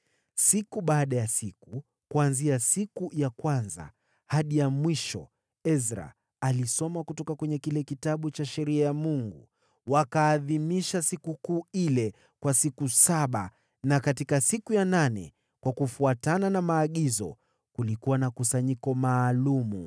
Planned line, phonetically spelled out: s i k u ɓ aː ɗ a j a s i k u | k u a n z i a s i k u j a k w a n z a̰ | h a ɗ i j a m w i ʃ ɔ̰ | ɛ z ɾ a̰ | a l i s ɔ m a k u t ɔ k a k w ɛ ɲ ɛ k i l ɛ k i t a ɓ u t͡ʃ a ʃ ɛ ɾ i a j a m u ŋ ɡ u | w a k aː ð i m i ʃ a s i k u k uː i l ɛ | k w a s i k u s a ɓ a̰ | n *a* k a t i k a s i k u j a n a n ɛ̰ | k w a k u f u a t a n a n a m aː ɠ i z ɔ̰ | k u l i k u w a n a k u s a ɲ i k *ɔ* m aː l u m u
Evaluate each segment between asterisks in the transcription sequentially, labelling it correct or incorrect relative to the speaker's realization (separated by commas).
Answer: correct, correct